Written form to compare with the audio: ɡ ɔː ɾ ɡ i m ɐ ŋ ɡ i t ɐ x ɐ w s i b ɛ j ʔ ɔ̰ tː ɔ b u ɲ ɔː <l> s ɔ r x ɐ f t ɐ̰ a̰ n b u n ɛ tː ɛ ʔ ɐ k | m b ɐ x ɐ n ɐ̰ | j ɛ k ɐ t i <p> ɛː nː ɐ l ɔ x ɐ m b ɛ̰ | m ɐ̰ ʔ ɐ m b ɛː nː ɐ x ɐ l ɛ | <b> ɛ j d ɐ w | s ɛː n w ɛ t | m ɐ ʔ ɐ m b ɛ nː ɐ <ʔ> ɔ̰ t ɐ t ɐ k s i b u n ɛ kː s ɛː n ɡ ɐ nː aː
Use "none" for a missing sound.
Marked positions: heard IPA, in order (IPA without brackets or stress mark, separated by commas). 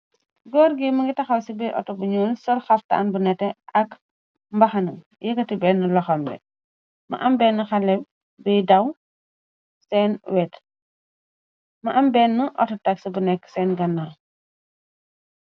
l, b, b, ʔ